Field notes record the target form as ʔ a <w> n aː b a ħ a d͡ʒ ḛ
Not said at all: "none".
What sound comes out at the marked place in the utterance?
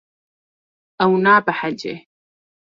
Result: w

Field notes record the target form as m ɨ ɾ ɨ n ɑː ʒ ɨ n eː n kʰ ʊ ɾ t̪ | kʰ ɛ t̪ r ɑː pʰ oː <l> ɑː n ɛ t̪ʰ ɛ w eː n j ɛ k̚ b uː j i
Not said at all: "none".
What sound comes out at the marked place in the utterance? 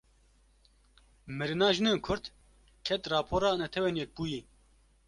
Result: ɾ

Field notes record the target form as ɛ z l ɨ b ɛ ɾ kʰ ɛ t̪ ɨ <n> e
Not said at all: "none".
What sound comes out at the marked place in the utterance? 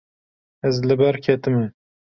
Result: m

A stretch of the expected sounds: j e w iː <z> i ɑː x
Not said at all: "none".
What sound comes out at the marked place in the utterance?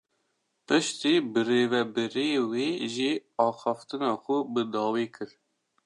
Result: ʒ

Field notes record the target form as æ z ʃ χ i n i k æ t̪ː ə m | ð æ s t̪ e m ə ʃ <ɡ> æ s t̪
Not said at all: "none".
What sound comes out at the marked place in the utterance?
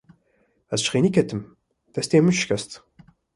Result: k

